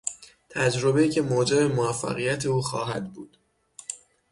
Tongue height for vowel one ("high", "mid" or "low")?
low